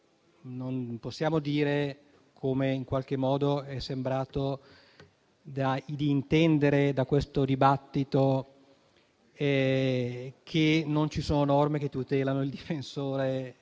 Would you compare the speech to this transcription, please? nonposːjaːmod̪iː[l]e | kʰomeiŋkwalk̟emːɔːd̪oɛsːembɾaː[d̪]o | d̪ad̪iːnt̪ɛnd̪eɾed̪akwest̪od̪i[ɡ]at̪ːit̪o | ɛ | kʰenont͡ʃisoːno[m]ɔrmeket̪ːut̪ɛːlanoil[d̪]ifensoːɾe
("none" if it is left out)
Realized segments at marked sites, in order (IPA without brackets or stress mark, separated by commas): ɾ, t̪, b, n, d̪